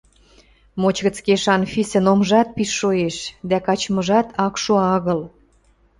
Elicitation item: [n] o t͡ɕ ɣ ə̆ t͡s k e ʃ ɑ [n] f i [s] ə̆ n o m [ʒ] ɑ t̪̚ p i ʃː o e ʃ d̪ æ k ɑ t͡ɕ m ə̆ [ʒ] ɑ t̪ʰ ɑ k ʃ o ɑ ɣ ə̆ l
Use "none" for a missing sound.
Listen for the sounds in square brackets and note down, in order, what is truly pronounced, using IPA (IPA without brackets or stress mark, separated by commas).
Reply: m, n, s, ʒ, ʒ